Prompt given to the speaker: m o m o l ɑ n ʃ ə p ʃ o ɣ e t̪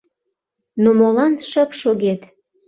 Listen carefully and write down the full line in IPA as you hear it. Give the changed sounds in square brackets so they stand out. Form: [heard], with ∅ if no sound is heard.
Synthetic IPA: [n] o m o l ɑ n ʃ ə p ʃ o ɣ e t̪